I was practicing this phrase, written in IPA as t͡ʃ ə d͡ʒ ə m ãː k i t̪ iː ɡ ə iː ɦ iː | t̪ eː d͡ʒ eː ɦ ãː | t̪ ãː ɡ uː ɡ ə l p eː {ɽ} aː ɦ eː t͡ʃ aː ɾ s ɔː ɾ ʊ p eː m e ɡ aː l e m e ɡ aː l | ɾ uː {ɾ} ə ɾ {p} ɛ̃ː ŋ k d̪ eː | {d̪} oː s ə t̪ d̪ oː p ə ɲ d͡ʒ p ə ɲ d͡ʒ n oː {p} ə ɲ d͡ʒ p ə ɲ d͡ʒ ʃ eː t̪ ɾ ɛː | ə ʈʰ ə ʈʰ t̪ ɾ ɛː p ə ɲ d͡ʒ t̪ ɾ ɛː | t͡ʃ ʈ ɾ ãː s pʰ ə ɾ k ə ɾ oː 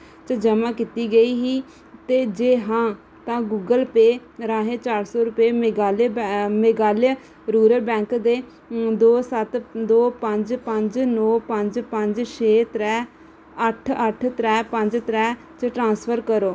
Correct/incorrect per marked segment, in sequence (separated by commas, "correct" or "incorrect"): incorrect, correct, incorrect, correct, correct